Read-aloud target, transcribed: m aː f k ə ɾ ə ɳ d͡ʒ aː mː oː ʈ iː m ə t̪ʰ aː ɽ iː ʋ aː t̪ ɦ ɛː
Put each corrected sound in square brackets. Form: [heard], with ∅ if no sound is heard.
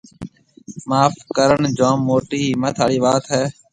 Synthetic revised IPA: m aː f k ə ɾ ə ɳ d͡ʒ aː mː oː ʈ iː m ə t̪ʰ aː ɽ iː ʋ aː t̪ ɦ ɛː